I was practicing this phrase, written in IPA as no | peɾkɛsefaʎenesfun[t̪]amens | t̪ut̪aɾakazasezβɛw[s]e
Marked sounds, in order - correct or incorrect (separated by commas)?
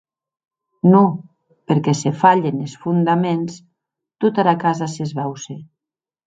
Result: incorrect, correct